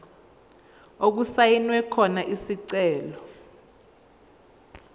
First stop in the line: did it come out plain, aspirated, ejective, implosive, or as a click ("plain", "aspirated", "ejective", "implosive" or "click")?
plain